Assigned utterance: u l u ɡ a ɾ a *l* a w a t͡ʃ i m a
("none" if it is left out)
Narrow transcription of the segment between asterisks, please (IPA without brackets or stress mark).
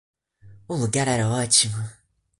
ɾ